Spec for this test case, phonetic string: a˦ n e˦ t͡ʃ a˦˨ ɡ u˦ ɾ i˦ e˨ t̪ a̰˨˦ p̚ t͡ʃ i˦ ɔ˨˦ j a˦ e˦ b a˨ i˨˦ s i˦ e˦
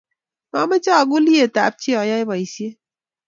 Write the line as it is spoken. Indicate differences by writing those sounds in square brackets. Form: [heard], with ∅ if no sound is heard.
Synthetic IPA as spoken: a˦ [m] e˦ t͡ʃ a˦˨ ɡ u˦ [l] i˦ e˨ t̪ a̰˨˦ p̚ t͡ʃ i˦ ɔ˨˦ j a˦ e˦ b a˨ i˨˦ s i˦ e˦